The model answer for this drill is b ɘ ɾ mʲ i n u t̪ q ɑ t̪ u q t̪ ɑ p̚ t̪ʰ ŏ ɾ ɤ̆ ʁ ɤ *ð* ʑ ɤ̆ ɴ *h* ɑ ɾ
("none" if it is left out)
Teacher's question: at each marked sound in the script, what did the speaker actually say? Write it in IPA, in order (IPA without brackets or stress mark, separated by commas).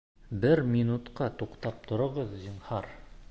ð, h